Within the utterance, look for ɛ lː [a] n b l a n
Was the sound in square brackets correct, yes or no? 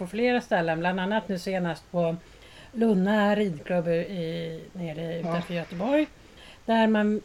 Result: no